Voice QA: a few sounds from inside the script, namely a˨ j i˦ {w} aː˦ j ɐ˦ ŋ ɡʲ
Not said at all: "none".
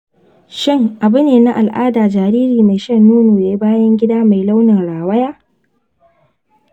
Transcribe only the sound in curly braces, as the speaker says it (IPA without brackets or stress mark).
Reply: b